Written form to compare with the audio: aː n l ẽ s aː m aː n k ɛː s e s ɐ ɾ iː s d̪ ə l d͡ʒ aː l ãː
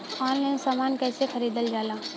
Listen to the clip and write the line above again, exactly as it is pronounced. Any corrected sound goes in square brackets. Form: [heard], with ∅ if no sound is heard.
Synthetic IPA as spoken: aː n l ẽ s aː m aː n k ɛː s e [x] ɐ ɾ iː [∅] d̪ ə l d͡ʒ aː l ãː

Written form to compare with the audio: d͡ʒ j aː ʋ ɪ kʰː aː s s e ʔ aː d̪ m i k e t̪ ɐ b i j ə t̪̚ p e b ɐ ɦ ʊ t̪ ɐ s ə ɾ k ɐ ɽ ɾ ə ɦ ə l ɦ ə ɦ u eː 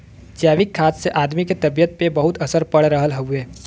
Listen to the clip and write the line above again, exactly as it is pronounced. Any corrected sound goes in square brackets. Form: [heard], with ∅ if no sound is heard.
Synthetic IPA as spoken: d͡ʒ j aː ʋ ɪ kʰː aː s s e ʔ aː d̪ m i k e t̪ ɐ b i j ə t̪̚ p e b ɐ ɦ ʊ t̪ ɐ s ə ɾ [p] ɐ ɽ ɾ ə ɦ ə l ɦ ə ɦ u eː

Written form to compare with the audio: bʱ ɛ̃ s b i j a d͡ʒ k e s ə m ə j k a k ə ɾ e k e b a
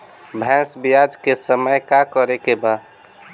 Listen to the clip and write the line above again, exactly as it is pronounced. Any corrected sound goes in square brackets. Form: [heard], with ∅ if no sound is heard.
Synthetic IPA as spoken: bʱ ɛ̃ s b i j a d͡ʒ k e s ə m ə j k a k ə ɾ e k e b a

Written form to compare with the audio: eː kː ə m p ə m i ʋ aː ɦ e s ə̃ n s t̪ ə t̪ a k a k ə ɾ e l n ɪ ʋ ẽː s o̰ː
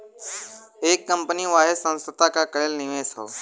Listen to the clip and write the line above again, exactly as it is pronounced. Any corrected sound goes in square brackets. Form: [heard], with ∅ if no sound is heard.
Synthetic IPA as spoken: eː kː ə m p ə [n] i ʋ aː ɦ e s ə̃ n s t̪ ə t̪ a k a k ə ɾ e l n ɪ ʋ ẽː s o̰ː

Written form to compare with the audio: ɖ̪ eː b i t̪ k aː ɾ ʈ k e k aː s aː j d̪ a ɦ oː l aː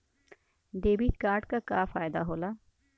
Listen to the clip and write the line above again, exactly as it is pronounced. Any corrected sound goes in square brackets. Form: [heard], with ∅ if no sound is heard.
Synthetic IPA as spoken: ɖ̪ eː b i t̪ k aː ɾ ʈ k [a] k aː [f] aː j d̪ a ɦ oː l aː

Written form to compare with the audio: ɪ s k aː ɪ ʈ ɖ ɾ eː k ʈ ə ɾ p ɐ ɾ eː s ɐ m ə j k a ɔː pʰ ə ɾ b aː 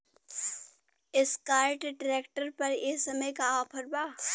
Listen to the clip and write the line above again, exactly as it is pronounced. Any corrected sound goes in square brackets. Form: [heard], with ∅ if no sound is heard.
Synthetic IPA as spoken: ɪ s k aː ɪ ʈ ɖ ɾ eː k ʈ ə ɾ p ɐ ɾ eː s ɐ m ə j k a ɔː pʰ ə ɾ b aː

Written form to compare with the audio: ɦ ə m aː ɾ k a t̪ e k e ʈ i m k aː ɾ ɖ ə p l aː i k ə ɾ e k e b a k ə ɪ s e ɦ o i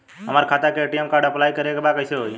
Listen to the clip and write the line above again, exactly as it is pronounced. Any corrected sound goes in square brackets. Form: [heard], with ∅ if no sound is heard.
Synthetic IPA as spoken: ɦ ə m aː ɾ [kʰ] a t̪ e k e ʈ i m k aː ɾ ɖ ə p l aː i k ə ɾ e k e b a k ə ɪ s e ɦ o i

